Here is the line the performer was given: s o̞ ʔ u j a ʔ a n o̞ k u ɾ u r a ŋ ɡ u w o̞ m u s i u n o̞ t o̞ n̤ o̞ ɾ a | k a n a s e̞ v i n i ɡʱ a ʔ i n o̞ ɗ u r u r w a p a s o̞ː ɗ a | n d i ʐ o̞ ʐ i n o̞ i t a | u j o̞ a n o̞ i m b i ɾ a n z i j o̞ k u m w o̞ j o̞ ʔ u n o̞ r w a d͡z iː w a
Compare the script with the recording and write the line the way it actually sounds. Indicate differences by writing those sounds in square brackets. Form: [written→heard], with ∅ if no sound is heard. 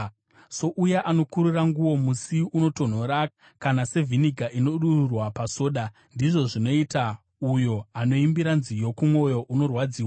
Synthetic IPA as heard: s o̞ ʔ u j a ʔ a n o̞ k u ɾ u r a ŋ ɡ u w o̞ m u s i u n o̞ t o̞ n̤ o̞ ɾ a | k a n a s e̞ v i n i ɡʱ a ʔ i n o̞ ɗ u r u r w a p a s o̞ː ɗ a | n d i ʐ o̞ ʐ i n o̞ i t a | u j o̞ a n o̞ i m b i ɾ a n z i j o̞ k u m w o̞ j o̞ ʔ u n o̞ r w a d͡z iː w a